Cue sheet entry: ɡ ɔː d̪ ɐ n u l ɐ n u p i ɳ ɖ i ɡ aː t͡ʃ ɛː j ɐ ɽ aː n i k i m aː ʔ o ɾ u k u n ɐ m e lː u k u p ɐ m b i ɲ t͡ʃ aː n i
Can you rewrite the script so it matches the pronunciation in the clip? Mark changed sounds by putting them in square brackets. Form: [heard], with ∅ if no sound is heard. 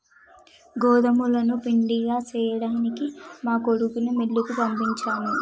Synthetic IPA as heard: ɡ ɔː d̪ ɐ [m] u l ɐ n u p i ɳ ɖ i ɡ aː t͡ʃ ɛː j ɐ ɽ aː n i k i m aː [k] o [ɽ] u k u n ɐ m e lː u k u p ɐ m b i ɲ t͡ʃ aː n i